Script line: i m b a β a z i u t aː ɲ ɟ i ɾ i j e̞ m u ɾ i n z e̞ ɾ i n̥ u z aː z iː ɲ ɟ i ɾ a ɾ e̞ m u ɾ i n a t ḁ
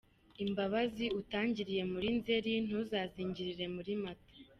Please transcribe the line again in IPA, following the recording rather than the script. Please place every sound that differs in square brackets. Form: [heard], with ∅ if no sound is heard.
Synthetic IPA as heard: i m b a β a z i u t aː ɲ ɟ i ɾ i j e̞ m u ɾ i n z e̞ ɾ i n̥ u z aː z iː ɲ ɟ i ɾ [i] ɾ e̞ m u ɾ i [m] a t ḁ